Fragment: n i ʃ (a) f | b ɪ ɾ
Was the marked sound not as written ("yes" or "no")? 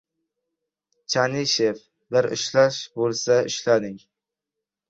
yes